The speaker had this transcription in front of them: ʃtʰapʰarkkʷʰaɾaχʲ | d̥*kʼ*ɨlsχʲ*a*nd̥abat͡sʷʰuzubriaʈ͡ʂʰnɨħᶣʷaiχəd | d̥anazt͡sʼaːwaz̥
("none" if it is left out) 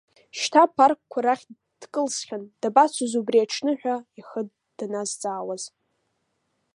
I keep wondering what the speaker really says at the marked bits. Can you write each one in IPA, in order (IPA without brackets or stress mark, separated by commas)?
kʼ, a